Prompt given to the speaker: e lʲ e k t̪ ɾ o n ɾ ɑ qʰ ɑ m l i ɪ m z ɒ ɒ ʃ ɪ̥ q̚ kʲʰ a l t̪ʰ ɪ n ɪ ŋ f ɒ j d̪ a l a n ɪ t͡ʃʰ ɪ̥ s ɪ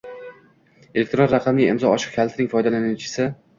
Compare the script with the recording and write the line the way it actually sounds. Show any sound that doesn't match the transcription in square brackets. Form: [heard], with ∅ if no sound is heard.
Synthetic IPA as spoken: e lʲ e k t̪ ɾ o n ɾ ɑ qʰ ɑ m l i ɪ m z ɒ ɒ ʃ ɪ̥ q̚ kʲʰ a l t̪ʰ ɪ n ɪ ŋ f ɒ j d̪ a l a n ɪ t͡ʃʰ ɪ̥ s ɪ